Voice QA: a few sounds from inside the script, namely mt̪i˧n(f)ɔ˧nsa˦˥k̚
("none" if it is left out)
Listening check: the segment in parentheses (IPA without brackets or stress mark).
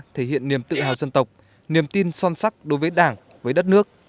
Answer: s